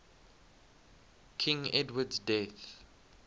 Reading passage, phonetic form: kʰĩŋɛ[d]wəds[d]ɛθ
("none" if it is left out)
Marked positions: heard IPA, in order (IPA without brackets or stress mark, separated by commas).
d, d